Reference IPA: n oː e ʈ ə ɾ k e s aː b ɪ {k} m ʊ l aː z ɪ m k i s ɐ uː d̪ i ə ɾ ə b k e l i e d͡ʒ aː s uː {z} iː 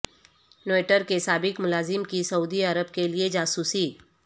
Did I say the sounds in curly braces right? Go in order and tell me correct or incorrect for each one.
correct, incorrect: s

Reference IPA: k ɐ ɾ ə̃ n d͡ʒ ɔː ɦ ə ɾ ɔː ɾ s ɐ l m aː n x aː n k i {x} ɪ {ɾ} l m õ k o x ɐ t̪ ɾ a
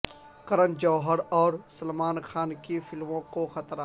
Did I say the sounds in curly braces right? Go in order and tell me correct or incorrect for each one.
incorrect: f, incorrect: none

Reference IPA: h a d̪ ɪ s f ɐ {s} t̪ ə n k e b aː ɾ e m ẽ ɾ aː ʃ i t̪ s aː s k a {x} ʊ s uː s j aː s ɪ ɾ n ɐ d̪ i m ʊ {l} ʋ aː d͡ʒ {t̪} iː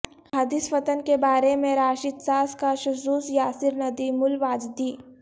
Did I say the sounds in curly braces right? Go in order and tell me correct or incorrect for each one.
incorrect: none, incorrect: ʃ, correct, incorrect: d̪

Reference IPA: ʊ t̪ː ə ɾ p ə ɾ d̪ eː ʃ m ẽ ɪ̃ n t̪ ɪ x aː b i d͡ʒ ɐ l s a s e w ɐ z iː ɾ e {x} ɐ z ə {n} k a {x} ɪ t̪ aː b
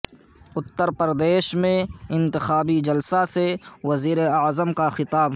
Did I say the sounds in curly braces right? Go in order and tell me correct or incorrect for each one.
incorrect: none, incorrect: m, correct

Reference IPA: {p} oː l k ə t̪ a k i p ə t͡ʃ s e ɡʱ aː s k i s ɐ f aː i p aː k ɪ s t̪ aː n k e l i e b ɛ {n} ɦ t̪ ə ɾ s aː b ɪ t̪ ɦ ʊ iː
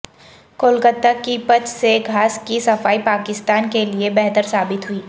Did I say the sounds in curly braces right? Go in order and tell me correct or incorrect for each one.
incorrect: k, incorrect: none

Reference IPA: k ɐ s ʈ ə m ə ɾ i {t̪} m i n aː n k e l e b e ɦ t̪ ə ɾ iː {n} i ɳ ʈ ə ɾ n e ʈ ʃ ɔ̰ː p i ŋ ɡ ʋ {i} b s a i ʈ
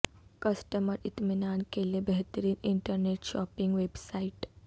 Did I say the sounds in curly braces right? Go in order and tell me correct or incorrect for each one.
correct, correct, incorrect: e

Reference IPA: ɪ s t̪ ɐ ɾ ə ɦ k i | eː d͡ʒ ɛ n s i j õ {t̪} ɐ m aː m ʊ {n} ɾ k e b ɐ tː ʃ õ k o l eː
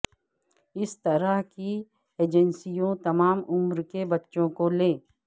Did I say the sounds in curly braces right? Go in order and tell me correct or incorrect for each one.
correct, incorrect: m

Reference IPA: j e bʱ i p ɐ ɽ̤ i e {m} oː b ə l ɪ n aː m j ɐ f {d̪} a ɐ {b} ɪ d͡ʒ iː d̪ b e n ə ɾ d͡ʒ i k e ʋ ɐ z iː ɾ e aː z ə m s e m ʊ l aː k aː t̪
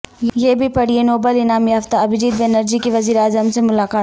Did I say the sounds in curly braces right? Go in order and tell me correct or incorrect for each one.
incorrect: n, incorrect: t̪, correct

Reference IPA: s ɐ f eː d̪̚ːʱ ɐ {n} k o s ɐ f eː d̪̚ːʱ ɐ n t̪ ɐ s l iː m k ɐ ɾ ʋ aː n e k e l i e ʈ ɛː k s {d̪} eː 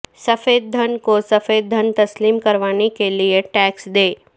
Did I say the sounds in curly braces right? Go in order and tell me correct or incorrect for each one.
correct, correct

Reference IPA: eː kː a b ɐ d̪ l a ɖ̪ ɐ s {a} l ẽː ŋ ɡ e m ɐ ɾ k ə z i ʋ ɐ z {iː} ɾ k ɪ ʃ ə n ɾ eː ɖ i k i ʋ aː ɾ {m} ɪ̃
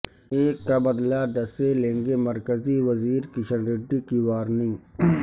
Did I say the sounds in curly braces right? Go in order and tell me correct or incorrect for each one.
incorrect: e, correct, incorrect: n

